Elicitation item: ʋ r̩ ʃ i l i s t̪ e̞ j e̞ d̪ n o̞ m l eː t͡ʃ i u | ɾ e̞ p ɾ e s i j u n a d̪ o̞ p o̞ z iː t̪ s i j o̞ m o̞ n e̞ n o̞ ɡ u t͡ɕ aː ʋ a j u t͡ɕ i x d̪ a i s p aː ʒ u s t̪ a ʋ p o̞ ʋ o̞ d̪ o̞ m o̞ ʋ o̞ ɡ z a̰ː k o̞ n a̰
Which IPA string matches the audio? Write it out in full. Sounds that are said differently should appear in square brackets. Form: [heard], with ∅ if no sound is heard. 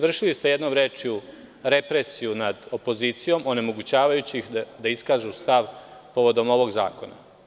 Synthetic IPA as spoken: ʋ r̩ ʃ i l i s t̪ e̞ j e̞ d̪ n o̞ m [ɾ] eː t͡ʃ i u | ɾ e̞ p ɾ e s i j u n a d̪ o̞ p o̞ z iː t̪ s i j o̞ m o̞ n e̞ [m] o̞ ɡ u t͡ɕ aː ʋ a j u t͡ɕ i x d̪ a i s [k] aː ʒ u s t̪ a ʋ p o̞ ʋ o̞ d̪ o̞ m o̞ ʋ o̞ ɡ z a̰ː k o̞ n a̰

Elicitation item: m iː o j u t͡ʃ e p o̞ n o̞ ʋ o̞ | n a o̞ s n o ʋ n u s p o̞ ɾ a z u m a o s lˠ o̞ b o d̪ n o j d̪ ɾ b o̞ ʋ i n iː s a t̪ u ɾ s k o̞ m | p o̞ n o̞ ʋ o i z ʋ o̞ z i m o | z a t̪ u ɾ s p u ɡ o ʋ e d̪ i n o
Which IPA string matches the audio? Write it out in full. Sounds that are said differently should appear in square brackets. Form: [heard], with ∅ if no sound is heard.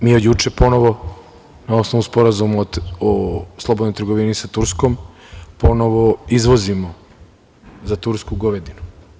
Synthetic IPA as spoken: m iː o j u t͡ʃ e p o̞ n o̞ ʋ o̞ | n a o̞ s n o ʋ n u s p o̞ ɾ a z u m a o s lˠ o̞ b o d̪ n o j [t̪] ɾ [ɡ] o̞ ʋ i n [i] s a t̪ u ɾ s k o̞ m | p o̞ n o̞ ʋ o i z ʋ o̞ z i m o | z a t̪ u ɾ s [k] u ɡ o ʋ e d̪ i n [u]

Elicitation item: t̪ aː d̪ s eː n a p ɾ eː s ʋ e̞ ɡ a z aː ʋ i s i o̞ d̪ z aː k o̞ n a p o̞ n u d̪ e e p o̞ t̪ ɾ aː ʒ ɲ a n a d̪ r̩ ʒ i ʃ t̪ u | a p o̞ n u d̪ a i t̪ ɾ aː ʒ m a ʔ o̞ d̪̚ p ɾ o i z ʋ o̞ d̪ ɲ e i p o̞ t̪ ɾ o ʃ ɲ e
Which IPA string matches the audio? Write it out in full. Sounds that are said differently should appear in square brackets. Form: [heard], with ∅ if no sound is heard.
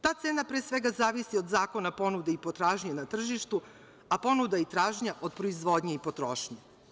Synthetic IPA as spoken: t̪ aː [t̪] s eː n a p ɾ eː s ʋ e̞ ɡ a z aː ʋ i s i o̞ d̪ z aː k o̞ n a p o̞ n u d̪ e [i] p o̞ t̪ ɾ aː ʒ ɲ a n a [t̪] r̩ ʒ i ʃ t̪ u | a p o̞ n u d̪ a i t̪ ɾ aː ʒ [ɲ] a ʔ o̞ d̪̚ p ɾ o i z ʋ o̞ d̪ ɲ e i p o̞ t̪ ɾ o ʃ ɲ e

